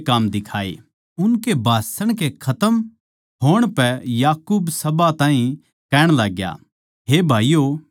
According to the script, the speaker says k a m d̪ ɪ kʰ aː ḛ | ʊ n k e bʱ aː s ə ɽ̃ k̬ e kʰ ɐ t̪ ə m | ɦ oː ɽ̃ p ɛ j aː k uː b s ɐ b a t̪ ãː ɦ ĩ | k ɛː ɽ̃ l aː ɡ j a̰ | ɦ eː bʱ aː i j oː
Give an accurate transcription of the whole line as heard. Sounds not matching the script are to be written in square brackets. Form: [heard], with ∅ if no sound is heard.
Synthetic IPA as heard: k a m d̪ ɪ kʰ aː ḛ | ʊ n k e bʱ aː s ə ɽ̃ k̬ e kʰ ɐ t̪ ə m | ɦ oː ɽ̃ p ɛ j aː k uː b s ɐ b a t̪ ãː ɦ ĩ | k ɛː ɽ̃ l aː ɡ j a̰ | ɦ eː bʱ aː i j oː